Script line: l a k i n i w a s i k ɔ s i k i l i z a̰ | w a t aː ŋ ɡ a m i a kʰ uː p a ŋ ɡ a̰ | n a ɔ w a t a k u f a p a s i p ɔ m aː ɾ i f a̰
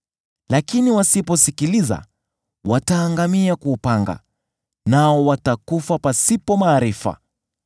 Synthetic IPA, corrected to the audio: l a k i n i w a s i p ɔ s i k i l i z a̰ | w a t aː ŋ ɡ a m i a k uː p a ŋ ɡ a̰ | n a ɔ w a t a k u f a p a s i p ɔ m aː ɾ i f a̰